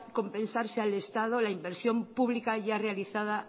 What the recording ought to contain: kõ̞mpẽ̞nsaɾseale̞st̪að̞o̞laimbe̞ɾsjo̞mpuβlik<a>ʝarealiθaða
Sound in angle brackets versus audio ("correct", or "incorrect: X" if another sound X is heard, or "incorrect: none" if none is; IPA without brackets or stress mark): correct